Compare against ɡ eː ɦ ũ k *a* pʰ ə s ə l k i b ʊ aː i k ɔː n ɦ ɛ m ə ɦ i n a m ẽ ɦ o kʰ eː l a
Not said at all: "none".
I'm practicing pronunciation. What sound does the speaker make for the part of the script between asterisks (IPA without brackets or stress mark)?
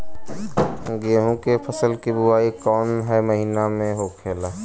e